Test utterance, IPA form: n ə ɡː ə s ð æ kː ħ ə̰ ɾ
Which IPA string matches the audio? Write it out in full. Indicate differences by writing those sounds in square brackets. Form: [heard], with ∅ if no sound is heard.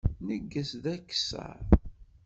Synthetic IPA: n ə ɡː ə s ð æ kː [s] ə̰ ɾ